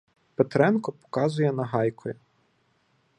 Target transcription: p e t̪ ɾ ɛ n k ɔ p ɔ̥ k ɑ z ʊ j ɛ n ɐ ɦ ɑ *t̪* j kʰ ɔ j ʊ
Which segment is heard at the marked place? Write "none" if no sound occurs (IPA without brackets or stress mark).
none